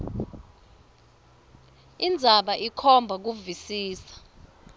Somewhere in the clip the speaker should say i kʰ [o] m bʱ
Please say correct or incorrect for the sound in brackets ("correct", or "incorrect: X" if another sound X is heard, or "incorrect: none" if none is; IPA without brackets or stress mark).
incorrect: ɔ